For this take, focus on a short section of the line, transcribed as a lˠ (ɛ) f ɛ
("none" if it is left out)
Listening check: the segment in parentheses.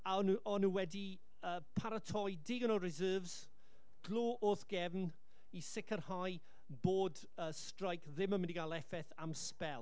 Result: ɛ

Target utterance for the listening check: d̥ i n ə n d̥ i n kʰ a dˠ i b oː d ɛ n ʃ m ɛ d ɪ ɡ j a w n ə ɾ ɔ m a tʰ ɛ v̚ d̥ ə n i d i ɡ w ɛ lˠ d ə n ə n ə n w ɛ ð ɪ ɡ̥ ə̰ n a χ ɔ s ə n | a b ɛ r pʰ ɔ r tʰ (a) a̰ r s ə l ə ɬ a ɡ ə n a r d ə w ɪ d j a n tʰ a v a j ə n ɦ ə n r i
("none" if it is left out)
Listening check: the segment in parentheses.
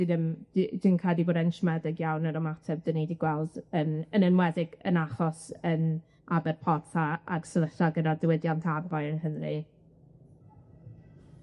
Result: a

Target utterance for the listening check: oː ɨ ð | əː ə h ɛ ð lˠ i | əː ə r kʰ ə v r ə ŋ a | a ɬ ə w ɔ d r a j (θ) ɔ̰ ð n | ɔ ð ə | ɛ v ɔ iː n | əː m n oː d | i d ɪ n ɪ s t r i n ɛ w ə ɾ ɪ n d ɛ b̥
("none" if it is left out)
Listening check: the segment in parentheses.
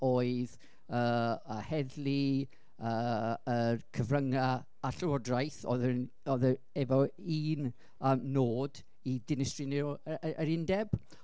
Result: θ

